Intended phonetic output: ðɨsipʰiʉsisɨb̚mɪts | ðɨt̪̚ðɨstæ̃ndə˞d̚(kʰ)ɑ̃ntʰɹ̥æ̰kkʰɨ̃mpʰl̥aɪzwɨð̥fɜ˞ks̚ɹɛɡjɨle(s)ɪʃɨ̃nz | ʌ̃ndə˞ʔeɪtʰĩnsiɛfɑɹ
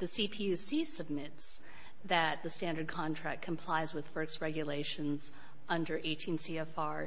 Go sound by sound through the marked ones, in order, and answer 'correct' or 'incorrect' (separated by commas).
correct, incorrect